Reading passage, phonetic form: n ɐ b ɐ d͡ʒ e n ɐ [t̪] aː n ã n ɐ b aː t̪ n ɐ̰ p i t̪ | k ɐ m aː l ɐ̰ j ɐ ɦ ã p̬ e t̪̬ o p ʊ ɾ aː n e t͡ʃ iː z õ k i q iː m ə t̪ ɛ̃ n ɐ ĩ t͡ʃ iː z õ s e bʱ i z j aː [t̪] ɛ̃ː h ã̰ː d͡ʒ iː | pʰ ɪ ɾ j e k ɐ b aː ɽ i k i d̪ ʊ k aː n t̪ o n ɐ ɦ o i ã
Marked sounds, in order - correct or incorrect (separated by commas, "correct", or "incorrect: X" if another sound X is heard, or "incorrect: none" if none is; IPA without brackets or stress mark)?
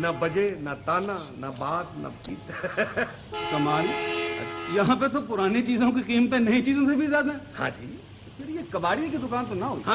correct, incorrect: d̪